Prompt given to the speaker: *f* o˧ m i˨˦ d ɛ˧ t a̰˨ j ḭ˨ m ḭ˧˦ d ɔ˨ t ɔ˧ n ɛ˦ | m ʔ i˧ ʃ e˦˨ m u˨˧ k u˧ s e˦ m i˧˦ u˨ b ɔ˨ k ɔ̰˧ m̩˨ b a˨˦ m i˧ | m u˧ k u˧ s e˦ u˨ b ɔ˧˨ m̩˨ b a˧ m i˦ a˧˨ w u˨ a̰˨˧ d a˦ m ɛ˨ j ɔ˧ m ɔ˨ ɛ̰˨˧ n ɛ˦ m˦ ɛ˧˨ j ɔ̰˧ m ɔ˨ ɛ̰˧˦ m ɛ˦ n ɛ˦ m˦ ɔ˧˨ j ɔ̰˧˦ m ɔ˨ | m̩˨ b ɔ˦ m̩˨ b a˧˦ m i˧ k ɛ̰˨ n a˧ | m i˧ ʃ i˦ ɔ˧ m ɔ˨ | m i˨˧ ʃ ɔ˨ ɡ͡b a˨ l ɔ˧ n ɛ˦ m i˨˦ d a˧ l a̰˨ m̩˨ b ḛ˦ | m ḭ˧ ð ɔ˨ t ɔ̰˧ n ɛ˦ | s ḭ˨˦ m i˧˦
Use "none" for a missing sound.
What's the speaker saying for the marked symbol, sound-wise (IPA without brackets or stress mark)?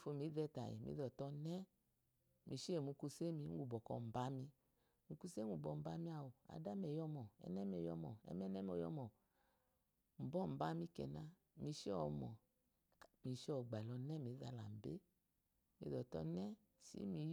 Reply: f